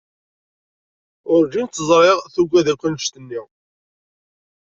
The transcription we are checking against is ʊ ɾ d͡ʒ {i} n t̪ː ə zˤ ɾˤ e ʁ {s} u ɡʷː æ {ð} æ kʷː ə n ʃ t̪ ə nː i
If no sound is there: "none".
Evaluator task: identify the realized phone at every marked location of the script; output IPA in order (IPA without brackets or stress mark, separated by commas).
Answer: i, θ, ð